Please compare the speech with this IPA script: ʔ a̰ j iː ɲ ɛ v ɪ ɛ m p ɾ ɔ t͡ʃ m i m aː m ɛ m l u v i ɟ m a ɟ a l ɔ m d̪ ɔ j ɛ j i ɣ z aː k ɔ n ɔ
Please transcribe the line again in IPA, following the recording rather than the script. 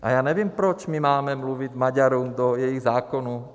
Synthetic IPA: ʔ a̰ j aː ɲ ɛ ʋ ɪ ɛ m p ɾ ɔ t͡ʃ m i m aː m ɛ m l u ʋ i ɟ m a ɟ a ɾ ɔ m d̪ ɔ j ɛ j i ɣ z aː k ɔ n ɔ